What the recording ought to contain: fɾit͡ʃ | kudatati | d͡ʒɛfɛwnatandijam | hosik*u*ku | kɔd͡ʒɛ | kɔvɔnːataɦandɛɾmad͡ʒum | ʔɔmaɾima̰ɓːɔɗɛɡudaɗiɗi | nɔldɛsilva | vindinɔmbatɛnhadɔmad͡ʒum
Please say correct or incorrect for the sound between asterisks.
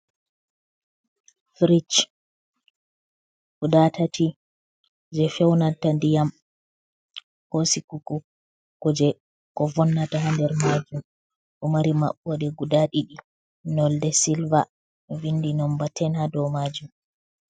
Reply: correct